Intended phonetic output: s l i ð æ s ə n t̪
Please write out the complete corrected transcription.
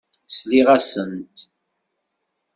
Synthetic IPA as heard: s l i ʁ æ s ə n t̪